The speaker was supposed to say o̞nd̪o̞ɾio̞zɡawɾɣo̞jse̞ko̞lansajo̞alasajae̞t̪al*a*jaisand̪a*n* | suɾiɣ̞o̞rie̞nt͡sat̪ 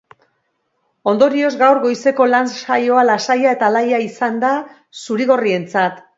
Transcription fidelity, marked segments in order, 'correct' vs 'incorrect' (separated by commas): correct, incorrect